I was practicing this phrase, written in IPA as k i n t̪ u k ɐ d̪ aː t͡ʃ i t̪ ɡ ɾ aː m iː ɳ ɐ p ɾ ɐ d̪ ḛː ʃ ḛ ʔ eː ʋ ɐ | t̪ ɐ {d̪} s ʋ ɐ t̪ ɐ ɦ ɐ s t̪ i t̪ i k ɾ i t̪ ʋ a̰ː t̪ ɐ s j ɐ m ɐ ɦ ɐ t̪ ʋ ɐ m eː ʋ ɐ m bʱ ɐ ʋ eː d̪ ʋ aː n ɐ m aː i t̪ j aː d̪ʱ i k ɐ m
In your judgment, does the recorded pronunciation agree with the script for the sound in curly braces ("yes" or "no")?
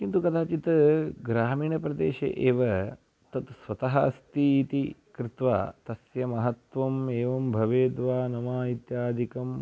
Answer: no